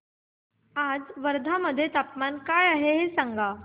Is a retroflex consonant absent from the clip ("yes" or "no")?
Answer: yes